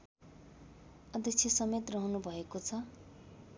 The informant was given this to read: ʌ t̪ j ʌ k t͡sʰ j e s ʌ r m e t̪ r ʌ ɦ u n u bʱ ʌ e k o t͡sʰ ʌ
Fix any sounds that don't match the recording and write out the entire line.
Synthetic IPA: ʌ d̪ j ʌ k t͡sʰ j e s ʌ m e t̪ r ʌ ɦ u n u bʱ ʌ e k o t͡sʰ ʌ